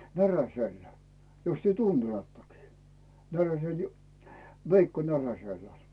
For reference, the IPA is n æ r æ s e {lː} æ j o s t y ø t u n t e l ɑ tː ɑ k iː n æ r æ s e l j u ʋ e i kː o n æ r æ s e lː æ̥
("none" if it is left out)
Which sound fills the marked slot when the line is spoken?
lː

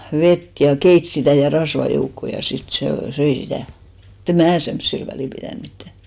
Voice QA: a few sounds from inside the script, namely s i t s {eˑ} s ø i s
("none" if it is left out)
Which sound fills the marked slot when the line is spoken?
eˑ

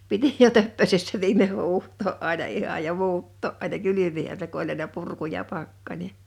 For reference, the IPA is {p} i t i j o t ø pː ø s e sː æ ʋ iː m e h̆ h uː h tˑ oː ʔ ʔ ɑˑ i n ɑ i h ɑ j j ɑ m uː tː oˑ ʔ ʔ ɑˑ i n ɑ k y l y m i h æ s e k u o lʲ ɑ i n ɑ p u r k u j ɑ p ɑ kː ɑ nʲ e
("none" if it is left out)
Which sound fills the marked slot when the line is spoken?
p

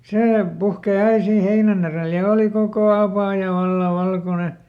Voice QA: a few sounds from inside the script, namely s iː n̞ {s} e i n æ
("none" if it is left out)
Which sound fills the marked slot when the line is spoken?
h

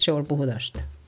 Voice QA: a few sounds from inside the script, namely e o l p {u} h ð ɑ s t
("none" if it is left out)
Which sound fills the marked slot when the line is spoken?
u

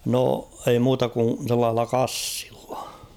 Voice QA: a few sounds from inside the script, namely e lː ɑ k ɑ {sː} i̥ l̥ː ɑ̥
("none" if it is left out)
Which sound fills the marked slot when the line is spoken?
sː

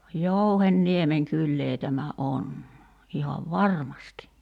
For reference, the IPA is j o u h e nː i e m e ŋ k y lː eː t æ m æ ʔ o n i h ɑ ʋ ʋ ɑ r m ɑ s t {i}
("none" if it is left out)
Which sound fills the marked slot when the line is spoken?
i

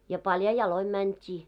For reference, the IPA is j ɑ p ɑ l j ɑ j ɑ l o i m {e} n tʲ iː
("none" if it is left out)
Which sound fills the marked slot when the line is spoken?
æ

